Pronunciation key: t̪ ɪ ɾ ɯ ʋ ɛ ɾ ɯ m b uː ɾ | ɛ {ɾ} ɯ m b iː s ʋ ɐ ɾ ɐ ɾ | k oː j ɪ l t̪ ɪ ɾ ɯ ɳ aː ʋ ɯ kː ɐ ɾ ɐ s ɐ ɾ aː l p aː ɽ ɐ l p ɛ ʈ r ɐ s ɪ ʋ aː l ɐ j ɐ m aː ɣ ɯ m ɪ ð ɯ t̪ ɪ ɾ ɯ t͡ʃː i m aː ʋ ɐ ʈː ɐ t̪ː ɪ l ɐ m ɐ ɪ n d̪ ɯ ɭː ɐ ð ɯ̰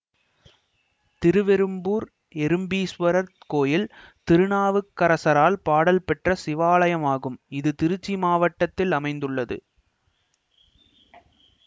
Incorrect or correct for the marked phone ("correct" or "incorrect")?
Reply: correct